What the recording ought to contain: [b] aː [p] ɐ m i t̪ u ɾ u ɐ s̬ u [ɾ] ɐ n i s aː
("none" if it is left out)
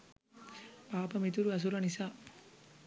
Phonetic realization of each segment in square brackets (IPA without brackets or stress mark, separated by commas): p, p, ɾ